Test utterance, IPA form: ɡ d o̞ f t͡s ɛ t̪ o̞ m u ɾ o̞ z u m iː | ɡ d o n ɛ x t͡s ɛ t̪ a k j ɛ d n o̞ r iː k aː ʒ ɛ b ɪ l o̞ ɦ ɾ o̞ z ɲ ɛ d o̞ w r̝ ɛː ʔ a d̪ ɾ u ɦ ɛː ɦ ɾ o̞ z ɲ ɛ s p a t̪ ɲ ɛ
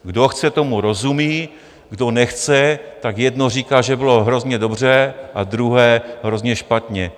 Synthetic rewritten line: ɡ d o̞ x t͡s ɛ t̪ o̞ m u ɾ o̞ z u m iː | ɡ d o n ɛ x t͡s ɛ t̪ a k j ɛ d n o̞ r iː k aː ʒ ɛ b ɪ l o̞ ɦ ɾ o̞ z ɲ ɛ d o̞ b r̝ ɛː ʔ a d̪ ɾ u ɦ ɛː ɦ ɾ o̞ z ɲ ɛ ʃ p a t̪ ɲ ɛ